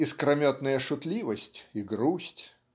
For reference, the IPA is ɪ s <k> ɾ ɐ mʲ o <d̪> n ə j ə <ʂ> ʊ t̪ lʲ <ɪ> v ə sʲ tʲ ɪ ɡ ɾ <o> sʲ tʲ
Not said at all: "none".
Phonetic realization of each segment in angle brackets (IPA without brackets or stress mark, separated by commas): k, t̪, ʂ, i, u